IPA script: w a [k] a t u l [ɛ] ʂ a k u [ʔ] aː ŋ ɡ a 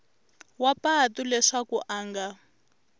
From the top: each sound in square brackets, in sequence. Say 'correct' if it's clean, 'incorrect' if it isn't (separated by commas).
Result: incorrect, correct, correct